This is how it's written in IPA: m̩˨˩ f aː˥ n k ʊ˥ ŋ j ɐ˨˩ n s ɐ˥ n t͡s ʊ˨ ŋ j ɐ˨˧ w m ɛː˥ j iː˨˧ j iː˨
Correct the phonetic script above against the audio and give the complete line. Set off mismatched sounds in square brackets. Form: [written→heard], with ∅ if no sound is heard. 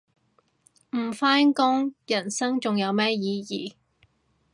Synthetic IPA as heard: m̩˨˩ f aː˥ n k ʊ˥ ŋ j ɐ˨˩ n s ɐ˥ [n→ŋ] t͡s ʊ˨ ŋ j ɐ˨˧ w m ɛː˥ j iː˨˧ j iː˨